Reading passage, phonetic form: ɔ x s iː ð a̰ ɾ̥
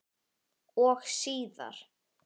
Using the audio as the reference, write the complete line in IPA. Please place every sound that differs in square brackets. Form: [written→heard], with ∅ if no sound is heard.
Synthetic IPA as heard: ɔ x s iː ð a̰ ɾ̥